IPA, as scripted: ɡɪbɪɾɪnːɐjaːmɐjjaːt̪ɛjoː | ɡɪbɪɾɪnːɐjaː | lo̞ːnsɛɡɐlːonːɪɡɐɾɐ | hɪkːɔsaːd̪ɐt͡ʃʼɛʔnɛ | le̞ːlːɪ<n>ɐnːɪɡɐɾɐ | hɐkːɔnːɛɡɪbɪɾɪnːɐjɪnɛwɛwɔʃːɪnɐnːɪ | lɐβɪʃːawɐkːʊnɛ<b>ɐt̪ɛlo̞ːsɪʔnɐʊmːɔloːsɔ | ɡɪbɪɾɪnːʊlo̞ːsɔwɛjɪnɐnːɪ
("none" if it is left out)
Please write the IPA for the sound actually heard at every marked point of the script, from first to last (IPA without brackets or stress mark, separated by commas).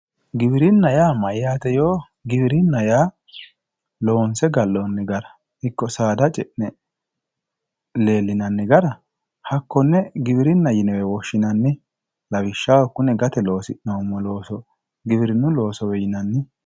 n, ɡ